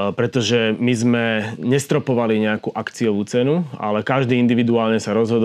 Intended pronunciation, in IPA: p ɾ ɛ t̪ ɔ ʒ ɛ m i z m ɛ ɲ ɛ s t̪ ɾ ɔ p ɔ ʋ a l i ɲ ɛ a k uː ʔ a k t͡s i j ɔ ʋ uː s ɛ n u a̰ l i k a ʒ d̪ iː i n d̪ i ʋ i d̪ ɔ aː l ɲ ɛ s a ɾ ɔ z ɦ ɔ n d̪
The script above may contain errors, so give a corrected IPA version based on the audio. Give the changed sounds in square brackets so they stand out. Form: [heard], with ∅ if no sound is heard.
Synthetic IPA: p ɾ ɛ t̪ ɔ ʒ ɛ m i z m ɛ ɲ ɛ s t̪ ɾ ɔ p ɔ ʋ a l i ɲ ɛ a k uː ʔ a k t͡s i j ɔ ʋ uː [t͡s] ɛ n u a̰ l [ɛ] k a ʒ d̪ iː i n d̪ i ʋ i d̪ [u] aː l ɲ ɛ s a ɾ ɔ z ɦ ɔ [∅] d̪